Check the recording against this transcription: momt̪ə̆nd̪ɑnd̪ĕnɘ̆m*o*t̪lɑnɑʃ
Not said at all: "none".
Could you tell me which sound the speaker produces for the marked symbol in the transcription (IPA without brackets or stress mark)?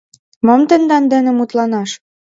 u